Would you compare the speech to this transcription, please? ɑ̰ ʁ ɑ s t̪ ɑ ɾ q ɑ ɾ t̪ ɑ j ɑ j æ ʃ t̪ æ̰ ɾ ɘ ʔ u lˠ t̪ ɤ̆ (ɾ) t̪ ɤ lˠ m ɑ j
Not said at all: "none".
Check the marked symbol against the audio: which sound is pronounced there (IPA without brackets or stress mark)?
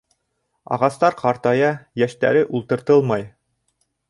ɾ